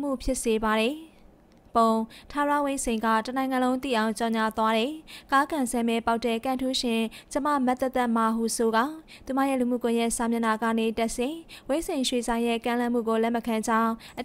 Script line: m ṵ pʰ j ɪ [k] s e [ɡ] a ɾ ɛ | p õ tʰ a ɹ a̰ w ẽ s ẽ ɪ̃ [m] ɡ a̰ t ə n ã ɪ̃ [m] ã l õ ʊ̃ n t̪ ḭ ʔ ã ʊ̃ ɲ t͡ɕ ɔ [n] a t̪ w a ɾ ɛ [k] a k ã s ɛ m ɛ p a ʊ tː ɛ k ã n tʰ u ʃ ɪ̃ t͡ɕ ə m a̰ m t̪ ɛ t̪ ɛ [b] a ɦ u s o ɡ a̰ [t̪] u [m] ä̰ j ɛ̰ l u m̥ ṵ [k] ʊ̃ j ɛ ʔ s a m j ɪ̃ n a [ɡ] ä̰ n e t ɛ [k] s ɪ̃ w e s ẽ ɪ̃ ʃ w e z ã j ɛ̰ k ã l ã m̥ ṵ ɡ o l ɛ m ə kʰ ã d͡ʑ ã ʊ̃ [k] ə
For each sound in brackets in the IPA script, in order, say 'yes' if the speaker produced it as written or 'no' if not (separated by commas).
no, no, no, no, no, yes, no, yes, yes, yes, yes, no, no